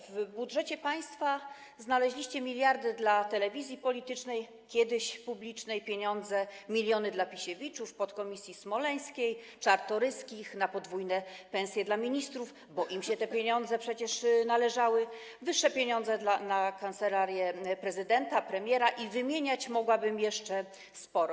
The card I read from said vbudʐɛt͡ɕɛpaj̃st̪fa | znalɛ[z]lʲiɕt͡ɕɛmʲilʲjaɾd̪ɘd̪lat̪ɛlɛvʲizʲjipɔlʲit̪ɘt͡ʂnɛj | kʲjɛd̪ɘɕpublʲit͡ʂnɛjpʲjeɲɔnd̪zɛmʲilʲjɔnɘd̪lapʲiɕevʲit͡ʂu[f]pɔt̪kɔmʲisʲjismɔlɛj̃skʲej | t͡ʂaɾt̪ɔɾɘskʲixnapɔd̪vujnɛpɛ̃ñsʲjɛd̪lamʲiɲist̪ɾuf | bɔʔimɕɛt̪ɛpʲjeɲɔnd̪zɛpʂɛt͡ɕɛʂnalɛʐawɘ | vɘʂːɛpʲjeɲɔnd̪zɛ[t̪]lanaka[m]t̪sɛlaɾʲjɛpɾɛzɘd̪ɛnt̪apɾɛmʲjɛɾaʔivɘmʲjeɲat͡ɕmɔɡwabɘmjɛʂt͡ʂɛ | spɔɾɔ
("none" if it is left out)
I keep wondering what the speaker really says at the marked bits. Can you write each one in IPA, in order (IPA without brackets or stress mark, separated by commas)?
ʑ, f, d̪, n